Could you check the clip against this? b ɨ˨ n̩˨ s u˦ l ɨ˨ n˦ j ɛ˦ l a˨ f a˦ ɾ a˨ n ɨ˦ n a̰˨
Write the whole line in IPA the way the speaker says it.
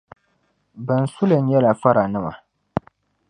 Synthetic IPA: b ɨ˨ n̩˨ s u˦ l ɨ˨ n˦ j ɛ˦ l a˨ f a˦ ɾ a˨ n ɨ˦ m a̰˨